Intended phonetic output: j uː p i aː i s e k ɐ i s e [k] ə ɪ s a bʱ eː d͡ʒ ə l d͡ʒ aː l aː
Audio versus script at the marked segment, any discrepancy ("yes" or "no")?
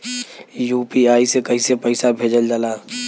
yes